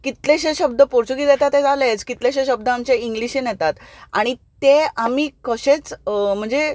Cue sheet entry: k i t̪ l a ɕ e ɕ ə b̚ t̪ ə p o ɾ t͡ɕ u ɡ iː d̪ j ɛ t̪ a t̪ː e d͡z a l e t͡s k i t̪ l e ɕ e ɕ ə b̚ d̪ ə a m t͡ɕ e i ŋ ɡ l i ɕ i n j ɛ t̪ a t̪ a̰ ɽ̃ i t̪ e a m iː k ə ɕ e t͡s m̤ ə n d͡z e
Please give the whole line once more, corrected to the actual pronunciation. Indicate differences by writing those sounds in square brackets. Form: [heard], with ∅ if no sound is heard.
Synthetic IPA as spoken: k i t̪ l [e] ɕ e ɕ ə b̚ [d̪] ə p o ɾ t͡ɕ u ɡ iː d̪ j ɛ t̪ a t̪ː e d͡z a l e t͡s k i t̪ l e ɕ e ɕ ə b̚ d̪ ə a m t͡ɕ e i ŋ ɡ l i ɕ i n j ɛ t̪ a t̪ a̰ ɽ̃ i t̪ e a m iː k ə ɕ e t͡s m̤ ə [ɳ] d͡z e